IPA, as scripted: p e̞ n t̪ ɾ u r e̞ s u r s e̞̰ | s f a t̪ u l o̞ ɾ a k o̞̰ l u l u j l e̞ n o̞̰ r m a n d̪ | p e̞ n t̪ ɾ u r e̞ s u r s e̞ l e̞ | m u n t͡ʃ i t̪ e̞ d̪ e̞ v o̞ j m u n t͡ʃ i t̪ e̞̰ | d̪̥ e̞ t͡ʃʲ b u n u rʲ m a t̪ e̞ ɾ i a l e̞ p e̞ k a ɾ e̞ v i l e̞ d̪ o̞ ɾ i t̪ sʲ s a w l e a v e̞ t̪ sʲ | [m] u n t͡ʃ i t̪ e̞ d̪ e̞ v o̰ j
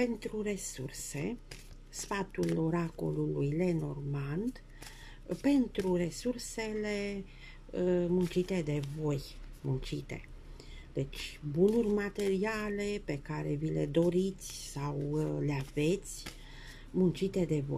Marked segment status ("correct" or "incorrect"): correct